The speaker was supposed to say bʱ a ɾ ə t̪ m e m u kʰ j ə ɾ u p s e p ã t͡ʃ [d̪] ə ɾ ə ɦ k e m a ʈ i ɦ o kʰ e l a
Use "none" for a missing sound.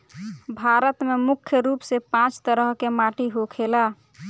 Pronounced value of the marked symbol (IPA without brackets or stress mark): t̪